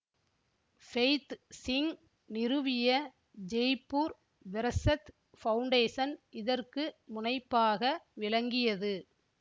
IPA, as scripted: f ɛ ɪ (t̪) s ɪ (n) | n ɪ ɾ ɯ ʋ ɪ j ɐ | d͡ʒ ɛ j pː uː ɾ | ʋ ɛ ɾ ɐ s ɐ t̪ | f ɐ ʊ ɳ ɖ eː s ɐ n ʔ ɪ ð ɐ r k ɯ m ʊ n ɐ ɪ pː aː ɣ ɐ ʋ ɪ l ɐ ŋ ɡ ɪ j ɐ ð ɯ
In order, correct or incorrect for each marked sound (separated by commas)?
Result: correct, incorrect